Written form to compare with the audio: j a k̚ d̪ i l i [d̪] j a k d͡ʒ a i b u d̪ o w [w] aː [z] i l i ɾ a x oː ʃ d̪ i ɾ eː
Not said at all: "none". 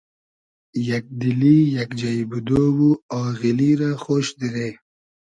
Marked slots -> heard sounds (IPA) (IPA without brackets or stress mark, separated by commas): none, u, ɣ